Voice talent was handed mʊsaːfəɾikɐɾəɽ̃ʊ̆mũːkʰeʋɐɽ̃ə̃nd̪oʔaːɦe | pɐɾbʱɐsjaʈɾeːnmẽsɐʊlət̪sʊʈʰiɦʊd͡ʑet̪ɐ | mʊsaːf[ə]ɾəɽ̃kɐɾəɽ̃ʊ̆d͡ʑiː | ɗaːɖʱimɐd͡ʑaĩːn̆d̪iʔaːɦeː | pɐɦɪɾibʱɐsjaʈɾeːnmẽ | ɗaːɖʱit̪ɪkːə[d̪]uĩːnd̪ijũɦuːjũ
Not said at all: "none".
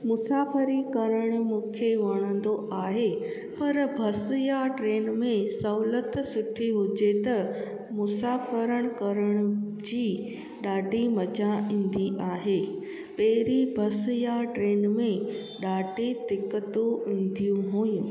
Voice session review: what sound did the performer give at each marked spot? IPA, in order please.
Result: ə, t̪

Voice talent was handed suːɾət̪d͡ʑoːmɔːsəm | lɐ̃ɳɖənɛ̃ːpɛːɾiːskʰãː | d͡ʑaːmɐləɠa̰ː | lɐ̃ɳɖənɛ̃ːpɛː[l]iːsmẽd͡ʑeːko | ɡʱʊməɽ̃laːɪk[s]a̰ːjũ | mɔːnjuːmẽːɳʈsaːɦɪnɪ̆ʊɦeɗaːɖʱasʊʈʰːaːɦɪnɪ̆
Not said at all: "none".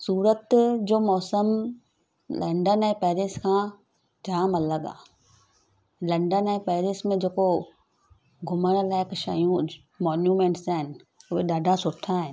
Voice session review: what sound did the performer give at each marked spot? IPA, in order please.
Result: ɾ, ʃ

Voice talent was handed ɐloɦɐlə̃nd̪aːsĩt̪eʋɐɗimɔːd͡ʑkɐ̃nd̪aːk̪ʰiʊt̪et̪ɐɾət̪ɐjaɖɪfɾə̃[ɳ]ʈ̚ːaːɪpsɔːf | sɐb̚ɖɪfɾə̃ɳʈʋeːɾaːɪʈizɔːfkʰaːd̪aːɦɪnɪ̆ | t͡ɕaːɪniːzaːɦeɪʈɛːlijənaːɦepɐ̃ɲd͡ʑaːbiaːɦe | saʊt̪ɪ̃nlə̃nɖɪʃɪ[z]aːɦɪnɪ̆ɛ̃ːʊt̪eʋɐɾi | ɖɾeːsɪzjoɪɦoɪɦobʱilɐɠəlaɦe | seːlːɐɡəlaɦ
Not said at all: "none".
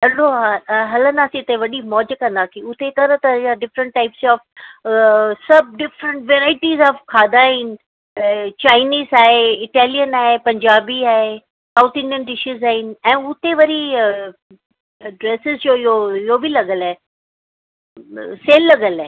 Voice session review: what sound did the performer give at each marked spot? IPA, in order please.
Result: ɳ, z

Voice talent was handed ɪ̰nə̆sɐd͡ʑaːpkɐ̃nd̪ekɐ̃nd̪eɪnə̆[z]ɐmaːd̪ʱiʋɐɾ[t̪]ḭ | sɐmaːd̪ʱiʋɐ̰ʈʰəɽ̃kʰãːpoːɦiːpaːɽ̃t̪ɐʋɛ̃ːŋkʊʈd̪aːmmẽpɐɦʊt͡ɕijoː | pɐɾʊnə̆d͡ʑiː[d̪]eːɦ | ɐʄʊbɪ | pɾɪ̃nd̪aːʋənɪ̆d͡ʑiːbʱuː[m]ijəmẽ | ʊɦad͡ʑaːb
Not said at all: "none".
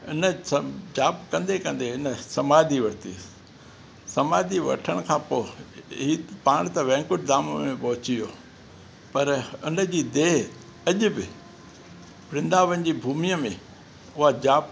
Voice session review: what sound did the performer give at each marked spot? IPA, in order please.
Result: s, t̪, d̪, m

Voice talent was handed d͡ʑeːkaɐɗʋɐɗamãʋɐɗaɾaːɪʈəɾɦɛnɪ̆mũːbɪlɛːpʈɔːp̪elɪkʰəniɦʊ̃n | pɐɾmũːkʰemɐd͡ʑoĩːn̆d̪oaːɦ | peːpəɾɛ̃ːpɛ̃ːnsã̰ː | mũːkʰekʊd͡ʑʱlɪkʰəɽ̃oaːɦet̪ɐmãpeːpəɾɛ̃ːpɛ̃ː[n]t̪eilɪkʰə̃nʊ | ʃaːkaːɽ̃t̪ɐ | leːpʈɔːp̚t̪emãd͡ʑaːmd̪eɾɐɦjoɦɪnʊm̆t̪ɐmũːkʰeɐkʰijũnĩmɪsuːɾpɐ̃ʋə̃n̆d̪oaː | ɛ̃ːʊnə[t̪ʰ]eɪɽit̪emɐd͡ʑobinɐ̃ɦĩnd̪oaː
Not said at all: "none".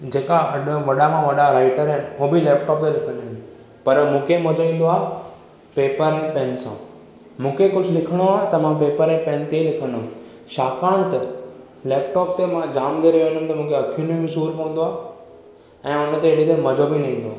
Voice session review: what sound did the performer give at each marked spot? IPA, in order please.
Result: n, t̪

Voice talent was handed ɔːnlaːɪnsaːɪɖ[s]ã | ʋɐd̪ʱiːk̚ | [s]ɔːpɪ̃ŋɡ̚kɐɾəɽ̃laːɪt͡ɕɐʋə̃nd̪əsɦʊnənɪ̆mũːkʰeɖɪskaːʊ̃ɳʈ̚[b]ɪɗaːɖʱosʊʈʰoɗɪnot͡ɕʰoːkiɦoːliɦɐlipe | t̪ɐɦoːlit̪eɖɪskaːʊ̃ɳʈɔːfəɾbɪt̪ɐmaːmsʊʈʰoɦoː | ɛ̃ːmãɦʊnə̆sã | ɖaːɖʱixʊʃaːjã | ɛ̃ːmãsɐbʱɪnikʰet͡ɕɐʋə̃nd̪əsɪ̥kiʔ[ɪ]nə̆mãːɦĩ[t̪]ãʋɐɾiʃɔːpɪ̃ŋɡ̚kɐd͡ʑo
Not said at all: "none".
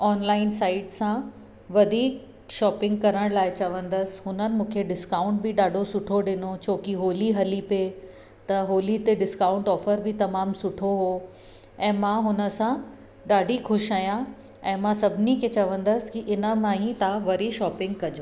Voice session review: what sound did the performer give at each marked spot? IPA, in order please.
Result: s, ʃ, b, ɪ, t̪

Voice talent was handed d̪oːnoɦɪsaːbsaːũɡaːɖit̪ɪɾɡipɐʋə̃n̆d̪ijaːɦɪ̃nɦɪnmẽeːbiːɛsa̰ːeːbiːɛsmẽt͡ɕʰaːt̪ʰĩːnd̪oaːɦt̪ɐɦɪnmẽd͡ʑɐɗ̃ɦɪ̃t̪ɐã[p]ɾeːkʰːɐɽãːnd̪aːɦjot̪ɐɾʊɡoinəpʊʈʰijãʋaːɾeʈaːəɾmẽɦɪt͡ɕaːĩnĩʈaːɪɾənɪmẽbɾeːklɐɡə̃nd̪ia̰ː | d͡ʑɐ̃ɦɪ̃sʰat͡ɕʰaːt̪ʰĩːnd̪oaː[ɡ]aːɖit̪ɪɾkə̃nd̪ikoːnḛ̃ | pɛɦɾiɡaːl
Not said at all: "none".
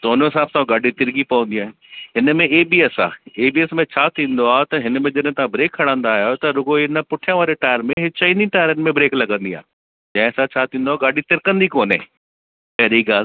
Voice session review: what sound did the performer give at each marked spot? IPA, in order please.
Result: b, ɡ

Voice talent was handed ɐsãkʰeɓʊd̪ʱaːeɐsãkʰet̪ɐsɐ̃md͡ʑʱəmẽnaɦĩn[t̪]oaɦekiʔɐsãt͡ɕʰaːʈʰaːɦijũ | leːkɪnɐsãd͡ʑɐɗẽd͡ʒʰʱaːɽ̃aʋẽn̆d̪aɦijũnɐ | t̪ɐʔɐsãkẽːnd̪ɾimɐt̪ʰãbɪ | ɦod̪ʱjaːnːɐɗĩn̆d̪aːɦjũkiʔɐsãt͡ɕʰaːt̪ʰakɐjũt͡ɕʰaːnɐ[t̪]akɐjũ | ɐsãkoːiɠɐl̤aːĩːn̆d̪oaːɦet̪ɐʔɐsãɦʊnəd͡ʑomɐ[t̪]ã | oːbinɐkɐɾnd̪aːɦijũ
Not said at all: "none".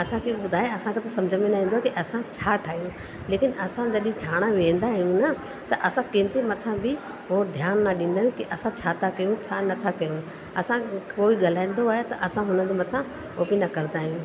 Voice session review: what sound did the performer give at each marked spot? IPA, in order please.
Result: d̪, t̪ʰ, t̪ʰ

